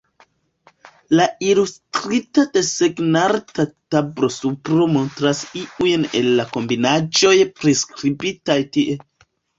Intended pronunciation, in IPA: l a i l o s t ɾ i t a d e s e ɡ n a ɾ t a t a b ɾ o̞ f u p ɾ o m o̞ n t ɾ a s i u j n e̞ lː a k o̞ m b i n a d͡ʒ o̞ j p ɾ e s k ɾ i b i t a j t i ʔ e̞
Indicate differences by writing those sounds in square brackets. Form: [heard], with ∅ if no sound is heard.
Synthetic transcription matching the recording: l a i l [u] s t ɾ i t a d e s e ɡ n a ɾ t a t a b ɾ o̞ [s] u p ɾ o m o̞ n t ɾ a s i u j n e̞ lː a k o̞ m b i n a d͡ʒ o̞ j p ɾ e s k ɾ i b i t a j t i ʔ e̞